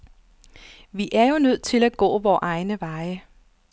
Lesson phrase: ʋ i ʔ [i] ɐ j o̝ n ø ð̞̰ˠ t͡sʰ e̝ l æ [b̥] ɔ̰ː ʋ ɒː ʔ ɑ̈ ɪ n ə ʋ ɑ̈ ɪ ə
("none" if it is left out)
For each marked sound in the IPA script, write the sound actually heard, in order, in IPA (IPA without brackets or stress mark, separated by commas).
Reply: æ, ɡ̥